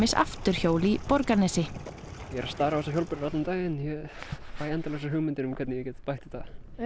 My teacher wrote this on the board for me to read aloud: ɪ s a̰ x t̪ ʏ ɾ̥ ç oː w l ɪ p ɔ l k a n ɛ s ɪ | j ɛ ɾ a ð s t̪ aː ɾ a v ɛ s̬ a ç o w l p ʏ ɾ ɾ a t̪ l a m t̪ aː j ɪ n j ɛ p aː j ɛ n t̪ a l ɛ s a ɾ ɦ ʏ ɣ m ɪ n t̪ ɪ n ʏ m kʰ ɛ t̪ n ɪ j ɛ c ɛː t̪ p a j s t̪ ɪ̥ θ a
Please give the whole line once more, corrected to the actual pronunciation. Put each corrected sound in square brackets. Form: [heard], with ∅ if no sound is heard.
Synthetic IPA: ɪ s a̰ [f] t̪ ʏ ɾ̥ ç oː w l [i] p ɔ [ɾ] k a n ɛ s ɪ | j ɛ ɾ a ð s t̪ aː ɾ a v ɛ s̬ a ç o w l p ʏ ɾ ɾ a t̪ l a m t̪ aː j ɪ n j ɛ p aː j ɛ n t̪ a l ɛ s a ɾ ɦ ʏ ɣ m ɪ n t̪ ɪ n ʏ m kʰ ɛ t̪ n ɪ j ɛ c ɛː t̪ p a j [h] t̪ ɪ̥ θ a